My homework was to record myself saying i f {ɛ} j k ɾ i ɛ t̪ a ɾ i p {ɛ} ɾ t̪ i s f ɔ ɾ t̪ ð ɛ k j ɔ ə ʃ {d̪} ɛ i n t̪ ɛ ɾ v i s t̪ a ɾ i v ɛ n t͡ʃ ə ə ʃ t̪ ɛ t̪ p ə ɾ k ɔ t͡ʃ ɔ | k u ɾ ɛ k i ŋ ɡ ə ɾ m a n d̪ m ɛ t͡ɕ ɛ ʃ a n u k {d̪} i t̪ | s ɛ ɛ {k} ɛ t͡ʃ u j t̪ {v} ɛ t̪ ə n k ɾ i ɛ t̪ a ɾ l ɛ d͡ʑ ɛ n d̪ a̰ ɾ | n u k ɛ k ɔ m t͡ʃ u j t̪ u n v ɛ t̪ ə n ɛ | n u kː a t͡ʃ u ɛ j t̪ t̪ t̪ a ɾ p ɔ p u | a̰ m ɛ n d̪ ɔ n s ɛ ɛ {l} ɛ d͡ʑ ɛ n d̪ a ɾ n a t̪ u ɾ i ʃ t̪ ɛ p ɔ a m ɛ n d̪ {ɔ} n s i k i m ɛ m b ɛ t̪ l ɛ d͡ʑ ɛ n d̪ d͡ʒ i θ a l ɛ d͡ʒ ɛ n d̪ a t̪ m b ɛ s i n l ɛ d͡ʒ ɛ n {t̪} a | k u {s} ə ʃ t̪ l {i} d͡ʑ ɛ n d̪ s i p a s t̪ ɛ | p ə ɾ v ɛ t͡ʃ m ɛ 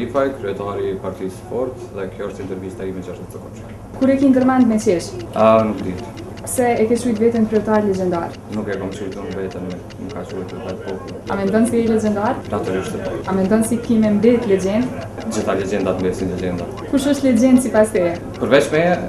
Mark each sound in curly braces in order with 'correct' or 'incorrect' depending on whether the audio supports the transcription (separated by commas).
incorrect, incorrect, incorrect, correct, correct, correct, correct, correct, incorrect, incorrect, incorrect